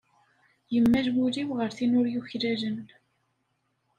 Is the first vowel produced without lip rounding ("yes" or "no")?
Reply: yes